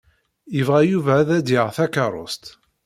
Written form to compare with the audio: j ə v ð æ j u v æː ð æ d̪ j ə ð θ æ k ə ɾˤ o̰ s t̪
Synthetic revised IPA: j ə v ʁ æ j u v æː ð æ d̪ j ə ʁ θ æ k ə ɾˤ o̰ s t̪